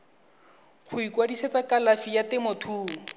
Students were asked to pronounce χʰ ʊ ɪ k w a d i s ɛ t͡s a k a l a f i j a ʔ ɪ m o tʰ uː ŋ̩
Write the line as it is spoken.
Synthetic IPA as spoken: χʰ ʊ i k w a d i s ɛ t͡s a k a l a f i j a t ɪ m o tʰ uː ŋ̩